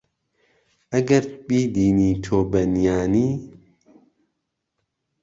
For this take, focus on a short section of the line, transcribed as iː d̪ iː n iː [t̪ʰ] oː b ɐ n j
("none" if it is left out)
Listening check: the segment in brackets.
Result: t̪ʰ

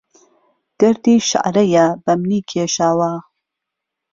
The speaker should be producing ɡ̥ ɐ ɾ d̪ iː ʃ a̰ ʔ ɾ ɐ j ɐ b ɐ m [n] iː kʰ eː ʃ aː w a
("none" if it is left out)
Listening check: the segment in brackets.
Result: n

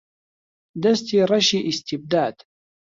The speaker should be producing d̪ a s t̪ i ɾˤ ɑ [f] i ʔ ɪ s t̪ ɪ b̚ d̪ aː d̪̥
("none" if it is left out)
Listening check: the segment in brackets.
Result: ʃ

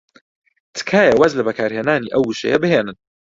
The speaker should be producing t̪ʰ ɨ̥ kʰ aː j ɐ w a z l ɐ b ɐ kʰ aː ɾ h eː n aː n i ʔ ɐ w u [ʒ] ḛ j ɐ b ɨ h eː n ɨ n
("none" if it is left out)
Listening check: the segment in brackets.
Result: ʃ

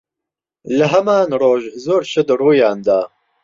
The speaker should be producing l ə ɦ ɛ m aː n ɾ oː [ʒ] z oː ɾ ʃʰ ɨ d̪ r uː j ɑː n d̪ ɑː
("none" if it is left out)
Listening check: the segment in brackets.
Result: ʒ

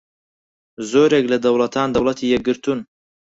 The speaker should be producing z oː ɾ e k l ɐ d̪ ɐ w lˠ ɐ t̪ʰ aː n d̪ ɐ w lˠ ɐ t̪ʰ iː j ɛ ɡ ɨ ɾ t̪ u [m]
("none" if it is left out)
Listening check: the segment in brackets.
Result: n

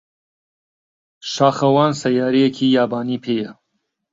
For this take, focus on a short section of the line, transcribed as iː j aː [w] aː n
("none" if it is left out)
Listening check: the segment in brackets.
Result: b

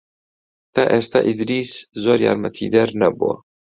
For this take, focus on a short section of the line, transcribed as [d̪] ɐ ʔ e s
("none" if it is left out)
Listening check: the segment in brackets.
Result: t̪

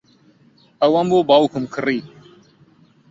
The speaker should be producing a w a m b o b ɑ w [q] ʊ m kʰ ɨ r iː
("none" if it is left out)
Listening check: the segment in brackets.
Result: k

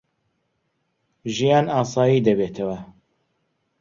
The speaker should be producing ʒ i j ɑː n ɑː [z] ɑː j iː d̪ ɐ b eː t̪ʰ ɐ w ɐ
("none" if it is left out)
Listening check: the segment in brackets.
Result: s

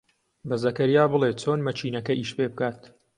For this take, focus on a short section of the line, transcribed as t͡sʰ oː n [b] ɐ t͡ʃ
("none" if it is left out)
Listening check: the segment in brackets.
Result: m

